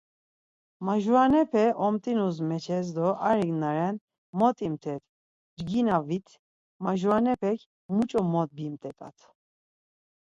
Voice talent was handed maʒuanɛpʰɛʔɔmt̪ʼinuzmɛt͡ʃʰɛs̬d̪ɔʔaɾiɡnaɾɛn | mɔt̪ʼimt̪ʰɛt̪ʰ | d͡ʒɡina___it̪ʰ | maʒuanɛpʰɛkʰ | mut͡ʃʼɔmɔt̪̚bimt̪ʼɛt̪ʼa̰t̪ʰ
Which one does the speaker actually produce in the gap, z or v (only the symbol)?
v